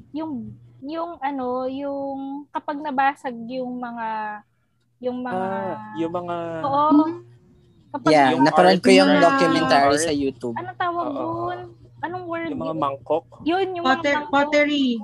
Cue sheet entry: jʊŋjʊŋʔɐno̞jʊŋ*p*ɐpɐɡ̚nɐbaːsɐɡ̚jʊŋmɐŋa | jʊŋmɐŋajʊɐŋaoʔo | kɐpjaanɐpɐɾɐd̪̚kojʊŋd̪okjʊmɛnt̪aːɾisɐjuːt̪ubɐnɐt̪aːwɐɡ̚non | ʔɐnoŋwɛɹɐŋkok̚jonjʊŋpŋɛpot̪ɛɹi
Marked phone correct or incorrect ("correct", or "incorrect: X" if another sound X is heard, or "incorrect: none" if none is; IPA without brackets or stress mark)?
incorrect: k